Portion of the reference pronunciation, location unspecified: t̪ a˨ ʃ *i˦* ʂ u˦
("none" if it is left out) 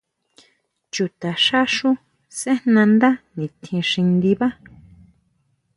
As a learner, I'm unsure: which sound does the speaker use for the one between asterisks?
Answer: a˦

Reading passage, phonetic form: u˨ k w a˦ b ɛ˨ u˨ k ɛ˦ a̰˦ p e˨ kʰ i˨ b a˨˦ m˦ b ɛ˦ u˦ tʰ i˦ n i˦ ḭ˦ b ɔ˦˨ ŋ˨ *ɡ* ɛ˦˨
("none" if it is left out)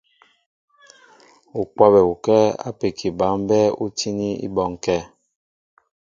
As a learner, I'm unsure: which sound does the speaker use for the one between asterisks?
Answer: k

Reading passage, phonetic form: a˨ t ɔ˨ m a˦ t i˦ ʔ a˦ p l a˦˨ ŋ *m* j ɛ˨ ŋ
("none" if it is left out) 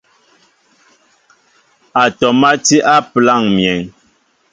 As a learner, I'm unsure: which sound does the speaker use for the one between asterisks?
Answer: m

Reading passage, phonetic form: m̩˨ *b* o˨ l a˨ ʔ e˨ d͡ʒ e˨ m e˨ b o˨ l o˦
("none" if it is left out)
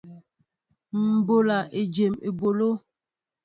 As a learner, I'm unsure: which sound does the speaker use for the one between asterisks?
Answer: b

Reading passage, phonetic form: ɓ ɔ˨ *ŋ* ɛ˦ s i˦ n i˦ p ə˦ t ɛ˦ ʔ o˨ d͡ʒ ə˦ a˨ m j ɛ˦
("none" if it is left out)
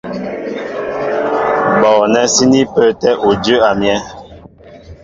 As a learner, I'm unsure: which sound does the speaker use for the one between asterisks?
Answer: n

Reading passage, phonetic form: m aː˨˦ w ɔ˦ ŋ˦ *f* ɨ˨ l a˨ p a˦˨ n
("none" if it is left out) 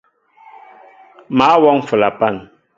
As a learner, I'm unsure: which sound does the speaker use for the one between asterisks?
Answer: f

